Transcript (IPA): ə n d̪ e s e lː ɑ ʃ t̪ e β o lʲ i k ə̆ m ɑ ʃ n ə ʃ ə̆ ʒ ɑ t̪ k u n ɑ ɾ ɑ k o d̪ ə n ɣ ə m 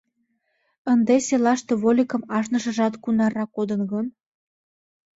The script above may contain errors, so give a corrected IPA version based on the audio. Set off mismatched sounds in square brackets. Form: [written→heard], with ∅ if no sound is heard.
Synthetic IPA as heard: ə n d̪ e s e [lː→l] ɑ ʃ t̪ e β o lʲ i k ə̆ m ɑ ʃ n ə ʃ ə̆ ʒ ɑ t̪ k u n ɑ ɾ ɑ k o d̪ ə n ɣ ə [m→n]